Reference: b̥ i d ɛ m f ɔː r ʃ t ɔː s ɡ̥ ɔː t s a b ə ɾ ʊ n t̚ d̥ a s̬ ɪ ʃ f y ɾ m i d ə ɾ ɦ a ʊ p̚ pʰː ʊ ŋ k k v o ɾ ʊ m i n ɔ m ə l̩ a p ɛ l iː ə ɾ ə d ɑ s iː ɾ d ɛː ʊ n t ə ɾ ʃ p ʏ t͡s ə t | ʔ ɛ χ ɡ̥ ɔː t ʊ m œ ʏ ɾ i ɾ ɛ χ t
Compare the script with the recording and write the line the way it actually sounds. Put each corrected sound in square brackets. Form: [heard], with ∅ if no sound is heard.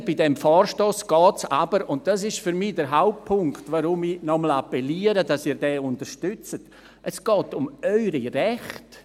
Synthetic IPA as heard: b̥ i d ɛ m f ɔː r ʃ t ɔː s ɡ̥ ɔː t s a b ə ɾ ʊ n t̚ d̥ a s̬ ɪ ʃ f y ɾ m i d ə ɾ ɦ a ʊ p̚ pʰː ʊ ŋ k [t] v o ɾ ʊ m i n ɔ m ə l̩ a p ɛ l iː ə ɾ ə d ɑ s iː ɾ d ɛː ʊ n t ə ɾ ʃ [t] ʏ t͡s ə t | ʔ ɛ [s] ɡ̥ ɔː t ʊ m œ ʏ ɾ i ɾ ɛ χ t